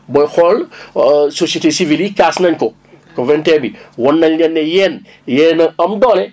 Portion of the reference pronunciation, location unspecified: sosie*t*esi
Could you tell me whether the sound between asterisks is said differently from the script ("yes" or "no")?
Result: no